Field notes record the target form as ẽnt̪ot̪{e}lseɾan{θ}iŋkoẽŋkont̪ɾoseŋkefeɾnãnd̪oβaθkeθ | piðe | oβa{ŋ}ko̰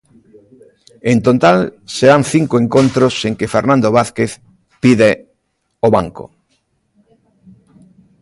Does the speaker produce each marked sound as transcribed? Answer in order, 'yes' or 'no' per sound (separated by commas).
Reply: no, yes, yes